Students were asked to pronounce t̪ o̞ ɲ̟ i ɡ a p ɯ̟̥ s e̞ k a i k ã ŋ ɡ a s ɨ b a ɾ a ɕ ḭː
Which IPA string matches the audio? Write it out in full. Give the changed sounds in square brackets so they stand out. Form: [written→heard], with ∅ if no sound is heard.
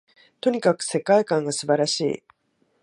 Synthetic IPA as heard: t̪ o̞ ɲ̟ i [ɡ→k] a [p→k] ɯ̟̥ s e̞ k a i k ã ŋ ɡ a s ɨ b a ɾ a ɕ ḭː